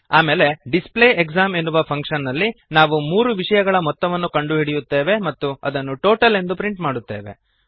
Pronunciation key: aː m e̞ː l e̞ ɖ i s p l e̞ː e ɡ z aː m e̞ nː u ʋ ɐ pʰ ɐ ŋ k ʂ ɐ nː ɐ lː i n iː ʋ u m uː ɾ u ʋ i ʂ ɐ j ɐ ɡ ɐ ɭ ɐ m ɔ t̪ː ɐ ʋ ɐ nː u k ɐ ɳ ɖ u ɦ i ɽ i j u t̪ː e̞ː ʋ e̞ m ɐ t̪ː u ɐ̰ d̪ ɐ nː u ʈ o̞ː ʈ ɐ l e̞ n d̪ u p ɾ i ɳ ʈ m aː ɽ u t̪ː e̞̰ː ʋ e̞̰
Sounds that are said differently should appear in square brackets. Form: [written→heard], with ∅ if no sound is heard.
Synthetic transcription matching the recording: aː m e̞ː l e̞ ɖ i s p l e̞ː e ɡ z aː m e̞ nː u ʋ ɐ pʰ ɐ ŋ k ʂ ɐ nː ɐ lː i n [iː→aː] ʋ u m uː ɾ u ʋ i ʂ ɐ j ɐ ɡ ɐ ɭ ɐ m ɔ t̪ː ɐ ʋ ɐ nː u k ɐ ɳ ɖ u ɦ i ɽ i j u t̪ː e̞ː ʋ e̞ m ɐ t̪ː u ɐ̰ d̪ ɐ nː u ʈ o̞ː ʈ ɐ l e̞ n d̪ u p ɾ i ɳ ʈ m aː ɽ u t̪ː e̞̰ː ʋ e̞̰